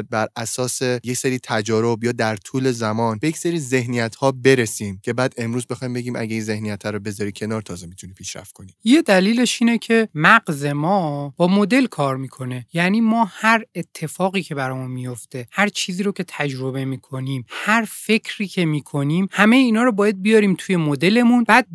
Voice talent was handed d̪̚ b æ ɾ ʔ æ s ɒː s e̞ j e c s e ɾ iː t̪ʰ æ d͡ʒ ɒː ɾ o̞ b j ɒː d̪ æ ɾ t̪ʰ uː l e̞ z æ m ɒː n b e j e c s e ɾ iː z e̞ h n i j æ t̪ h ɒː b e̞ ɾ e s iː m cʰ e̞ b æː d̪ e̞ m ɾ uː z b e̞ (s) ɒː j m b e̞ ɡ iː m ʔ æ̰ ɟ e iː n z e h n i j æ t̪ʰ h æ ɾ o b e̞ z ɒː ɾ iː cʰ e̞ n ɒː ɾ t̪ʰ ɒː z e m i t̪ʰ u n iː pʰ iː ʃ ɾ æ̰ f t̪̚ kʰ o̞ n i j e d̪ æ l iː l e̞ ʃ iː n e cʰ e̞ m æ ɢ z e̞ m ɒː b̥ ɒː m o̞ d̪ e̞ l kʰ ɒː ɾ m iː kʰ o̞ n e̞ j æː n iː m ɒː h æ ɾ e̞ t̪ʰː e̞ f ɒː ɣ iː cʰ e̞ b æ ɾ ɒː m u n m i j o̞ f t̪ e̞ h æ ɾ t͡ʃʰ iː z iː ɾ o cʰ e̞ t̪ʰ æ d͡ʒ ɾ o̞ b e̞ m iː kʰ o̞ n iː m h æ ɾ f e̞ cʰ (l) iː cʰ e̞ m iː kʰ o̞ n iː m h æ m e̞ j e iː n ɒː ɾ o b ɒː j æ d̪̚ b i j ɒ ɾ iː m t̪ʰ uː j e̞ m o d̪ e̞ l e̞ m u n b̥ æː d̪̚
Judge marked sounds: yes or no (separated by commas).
no, no